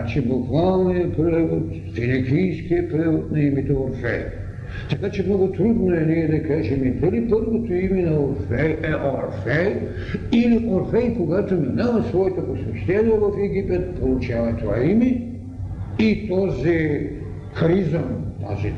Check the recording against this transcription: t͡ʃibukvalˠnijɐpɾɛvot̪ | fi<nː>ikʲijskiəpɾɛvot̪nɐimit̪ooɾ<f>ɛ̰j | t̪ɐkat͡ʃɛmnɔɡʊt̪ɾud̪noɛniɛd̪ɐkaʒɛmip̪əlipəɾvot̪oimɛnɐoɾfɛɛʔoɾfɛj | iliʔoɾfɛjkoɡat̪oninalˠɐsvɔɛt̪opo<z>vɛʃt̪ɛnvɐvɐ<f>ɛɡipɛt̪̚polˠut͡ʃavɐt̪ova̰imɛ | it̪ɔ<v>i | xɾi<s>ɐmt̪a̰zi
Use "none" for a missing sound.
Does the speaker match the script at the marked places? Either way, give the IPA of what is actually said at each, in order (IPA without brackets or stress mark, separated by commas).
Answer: n, f, s, f, z, z